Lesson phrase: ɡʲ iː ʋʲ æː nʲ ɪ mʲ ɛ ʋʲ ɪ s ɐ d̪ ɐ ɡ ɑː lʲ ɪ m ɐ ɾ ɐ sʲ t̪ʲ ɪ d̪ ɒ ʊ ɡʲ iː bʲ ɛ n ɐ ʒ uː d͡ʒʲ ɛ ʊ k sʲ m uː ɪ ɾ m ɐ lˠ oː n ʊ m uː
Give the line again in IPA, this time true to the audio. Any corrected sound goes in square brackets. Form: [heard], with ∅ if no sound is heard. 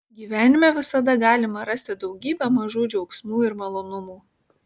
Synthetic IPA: ɡʲ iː ʋʲ æː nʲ ɪ mʲ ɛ ʋʲ ɪ s ɐ d̪ ɐ ɡ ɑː lʲ ɪ m ɐ ɾ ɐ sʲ t̪ʲ ɪ d̪ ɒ ʊ ɡʲ iː bʲ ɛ [m] ɐ ʒ uː d͡ʒʲ ɛ ʊ k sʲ m uː ɪ ɾ m ɐ lˠ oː n ʊ m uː